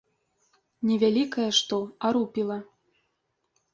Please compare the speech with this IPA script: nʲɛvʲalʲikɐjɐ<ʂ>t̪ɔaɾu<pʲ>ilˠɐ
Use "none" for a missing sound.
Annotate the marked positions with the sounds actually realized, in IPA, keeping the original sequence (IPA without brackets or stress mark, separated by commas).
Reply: ʂ, pʲ